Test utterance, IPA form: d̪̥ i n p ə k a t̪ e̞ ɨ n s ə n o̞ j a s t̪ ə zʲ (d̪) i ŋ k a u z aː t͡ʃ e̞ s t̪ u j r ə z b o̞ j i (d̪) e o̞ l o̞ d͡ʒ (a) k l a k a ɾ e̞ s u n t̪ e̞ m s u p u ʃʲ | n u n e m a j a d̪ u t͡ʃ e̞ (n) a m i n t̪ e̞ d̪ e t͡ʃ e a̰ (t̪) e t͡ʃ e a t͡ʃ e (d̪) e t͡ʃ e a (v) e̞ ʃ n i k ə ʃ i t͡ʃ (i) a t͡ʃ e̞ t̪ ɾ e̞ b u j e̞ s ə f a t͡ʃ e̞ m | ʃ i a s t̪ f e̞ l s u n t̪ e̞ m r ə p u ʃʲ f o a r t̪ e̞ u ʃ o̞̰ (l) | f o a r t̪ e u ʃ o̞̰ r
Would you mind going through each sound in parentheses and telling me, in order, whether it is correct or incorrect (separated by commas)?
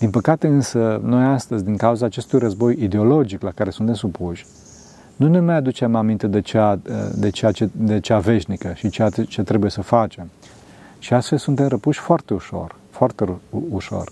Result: correct, correct, incorrect, incorrect, incorrect, correct, correct, incorrect, incorrect